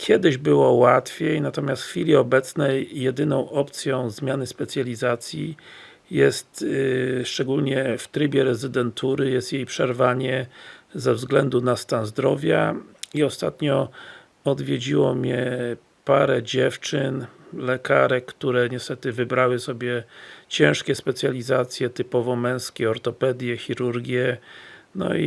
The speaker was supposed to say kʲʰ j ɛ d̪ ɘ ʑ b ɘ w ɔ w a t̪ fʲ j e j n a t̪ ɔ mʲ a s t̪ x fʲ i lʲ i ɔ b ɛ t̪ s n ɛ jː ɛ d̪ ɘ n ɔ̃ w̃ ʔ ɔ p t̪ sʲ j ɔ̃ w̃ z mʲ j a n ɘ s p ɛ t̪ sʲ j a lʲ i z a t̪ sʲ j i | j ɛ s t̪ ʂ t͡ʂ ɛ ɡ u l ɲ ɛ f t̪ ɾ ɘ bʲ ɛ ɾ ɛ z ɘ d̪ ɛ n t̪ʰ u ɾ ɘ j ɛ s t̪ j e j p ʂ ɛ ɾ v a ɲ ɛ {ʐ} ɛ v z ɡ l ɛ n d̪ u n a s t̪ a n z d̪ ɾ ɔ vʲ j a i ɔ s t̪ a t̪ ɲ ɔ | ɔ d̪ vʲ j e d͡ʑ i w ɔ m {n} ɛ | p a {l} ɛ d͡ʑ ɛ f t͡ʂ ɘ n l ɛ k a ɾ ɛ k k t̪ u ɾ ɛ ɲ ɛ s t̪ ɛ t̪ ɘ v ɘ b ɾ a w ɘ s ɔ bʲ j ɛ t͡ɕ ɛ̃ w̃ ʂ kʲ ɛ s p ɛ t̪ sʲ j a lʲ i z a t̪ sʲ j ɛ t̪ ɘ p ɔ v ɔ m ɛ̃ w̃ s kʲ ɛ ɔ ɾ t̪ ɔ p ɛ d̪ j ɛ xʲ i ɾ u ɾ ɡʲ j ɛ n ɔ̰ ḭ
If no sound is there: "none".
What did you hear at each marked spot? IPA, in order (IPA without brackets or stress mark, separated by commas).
z, ɲ, ɾ